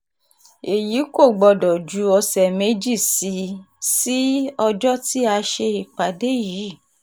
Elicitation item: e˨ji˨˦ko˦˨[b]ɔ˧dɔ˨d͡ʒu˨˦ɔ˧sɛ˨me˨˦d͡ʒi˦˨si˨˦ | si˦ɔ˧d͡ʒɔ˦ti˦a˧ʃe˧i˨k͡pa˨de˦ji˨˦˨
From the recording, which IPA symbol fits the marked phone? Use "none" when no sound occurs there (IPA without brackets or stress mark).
ɡ͡b